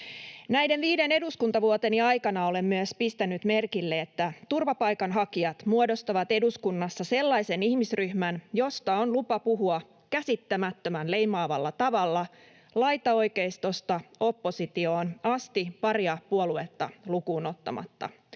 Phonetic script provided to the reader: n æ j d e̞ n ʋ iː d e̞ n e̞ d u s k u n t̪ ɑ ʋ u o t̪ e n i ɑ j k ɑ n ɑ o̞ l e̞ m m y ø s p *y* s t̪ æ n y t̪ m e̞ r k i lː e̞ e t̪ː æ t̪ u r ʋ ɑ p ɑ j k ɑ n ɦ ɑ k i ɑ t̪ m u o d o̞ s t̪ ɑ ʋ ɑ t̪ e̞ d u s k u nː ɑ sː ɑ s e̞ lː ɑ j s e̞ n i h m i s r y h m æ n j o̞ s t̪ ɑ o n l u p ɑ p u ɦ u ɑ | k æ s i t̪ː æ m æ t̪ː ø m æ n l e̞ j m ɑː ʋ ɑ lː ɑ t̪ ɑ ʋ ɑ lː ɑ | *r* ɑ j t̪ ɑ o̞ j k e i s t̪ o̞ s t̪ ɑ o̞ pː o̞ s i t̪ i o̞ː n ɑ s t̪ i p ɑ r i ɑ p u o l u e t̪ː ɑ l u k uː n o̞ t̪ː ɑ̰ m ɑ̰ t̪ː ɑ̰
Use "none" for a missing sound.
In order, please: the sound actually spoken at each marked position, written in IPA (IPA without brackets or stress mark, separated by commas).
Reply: i, l